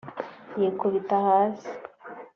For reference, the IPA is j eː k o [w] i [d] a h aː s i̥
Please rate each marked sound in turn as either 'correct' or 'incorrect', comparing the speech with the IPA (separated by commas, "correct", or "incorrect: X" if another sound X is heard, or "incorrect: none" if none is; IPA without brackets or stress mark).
incorrect: β, incorrect: t